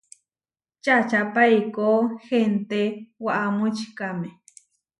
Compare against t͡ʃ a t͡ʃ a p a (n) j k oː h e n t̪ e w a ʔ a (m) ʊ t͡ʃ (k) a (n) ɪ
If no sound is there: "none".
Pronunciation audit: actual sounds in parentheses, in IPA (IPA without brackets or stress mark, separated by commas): none, m, k, m